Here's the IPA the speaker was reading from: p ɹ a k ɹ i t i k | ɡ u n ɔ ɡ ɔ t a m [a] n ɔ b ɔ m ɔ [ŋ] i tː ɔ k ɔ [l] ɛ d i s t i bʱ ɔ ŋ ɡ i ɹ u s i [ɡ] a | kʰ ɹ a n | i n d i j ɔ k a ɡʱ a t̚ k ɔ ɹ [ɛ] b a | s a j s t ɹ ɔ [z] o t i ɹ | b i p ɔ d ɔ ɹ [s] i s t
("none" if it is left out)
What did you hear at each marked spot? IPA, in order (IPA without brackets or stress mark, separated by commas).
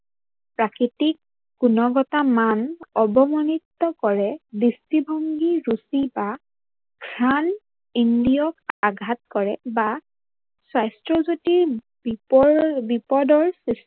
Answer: a, n, ɹ, b, ɛ, z, s